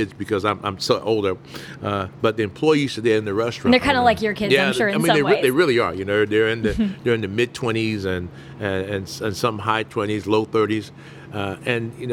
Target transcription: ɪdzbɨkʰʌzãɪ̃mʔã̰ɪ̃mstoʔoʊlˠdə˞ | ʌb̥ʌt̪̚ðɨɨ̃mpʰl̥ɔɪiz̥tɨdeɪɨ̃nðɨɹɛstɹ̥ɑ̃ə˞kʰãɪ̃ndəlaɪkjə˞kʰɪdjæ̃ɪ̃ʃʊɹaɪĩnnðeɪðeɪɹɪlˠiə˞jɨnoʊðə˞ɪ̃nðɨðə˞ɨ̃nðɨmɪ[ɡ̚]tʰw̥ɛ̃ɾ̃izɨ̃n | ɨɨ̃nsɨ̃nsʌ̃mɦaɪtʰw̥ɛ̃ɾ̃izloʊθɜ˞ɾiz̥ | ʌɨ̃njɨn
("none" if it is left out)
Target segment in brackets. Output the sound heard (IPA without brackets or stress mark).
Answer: d̚